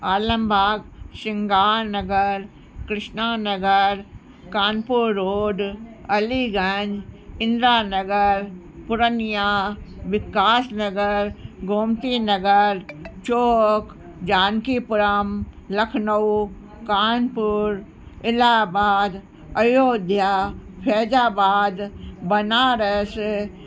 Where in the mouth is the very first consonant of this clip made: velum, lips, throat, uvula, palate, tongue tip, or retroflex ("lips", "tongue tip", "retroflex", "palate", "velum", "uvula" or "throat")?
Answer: tongue tip